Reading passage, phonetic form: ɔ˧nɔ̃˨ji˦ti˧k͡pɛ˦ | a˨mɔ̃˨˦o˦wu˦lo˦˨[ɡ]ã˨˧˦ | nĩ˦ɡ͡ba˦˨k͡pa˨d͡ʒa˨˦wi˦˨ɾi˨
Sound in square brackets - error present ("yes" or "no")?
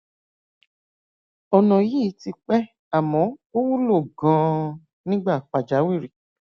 no